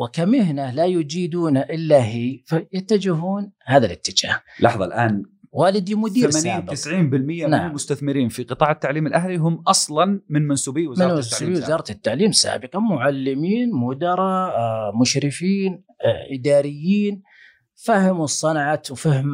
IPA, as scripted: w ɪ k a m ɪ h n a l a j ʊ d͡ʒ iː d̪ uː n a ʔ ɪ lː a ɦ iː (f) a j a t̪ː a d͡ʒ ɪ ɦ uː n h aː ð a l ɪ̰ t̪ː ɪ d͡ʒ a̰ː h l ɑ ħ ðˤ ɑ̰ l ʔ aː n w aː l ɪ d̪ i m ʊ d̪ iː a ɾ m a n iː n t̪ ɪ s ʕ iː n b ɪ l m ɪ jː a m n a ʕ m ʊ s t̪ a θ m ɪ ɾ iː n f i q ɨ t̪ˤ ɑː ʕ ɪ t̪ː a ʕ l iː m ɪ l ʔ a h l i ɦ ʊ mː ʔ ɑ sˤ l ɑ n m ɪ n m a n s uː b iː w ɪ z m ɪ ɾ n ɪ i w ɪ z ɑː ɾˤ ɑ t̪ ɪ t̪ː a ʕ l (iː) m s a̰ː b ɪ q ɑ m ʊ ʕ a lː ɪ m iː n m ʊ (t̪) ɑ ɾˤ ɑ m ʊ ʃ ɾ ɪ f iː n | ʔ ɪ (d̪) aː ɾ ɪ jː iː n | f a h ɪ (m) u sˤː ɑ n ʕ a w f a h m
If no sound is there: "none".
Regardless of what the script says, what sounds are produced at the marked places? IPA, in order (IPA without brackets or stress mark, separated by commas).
f, iː, d̪, d̪, m